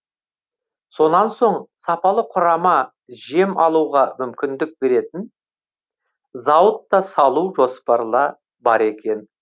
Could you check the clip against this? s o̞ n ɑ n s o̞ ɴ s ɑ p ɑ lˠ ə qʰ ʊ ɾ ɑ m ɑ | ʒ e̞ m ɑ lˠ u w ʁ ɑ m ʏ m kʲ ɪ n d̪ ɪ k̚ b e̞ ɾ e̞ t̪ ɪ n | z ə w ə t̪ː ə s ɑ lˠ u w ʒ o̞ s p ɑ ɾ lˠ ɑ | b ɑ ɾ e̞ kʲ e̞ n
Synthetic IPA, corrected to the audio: s o̞ n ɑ n s o̞ ɴ s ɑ p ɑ lˠ ə qʰ ʊ ɾ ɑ m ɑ | ʒ e̞ m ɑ lˠ u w ʁ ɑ m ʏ m kʲ ɪ n d̪ ɪ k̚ b e̞ ɾ e̞ t̪ ɪ n | z ɑ w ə t̪ː ɑ s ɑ lˠ u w ʒ o̞ s p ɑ ɾ lˠ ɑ | b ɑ ɾ e̞ kʲ e̞ n